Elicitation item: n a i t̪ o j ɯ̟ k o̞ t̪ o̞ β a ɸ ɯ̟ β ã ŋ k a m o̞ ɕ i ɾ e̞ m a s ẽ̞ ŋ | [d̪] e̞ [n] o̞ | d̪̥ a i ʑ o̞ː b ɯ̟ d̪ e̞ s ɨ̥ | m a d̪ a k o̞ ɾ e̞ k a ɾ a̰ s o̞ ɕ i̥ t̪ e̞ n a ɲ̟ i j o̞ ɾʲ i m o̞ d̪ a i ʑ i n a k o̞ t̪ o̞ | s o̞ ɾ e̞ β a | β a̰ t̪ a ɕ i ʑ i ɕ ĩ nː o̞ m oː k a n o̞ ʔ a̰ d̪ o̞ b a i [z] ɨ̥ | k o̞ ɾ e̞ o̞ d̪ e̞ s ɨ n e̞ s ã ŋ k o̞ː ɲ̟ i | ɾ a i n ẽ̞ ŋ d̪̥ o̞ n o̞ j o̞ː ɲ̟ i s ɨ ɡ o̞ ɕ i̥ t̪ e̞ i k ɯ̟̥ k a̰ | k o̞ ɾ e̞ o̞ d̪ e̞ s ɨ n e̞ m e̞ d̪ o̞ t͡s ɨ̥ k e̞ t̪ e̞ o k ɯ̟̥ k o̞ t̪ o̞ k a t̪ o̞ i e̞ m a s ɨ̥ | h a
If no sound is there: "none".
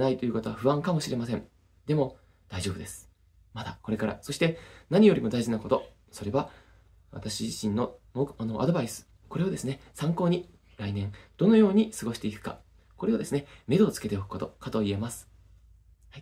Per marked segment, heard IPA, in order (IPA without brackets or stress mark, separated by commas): d̪, m, s